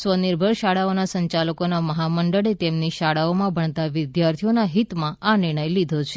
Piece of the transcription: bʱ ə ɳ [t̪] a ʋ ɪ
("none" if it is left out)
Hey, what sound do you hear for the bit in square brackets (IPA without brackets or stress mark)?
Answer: t̪